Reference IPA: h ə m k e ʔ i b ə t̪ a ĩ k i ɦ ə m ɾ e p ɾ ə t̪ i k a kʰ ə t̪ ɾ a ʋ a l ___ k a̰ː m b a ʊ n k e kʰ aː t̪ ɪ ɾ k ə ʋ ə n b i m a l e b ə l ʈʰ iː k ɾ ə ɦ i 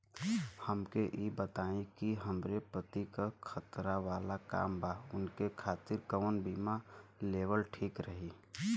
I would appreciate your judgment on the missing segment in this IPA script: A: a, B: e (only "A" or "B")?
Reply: A